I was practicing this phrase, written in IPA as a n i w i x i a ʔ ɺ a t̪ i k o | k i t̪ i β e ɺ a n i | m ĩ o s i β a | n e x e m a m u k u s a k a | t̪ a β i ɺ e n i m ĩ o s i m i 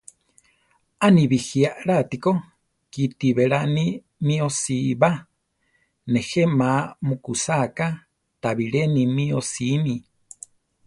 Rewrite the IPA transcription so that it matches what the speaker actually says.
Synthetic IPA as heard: a n i β i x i a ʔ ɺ a t̪ i k o | k i t̪ i β e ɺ a n i | m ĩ o s i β a | n e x e m a m u k u s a k a | t̪ a β i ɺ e n i m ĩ o s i m i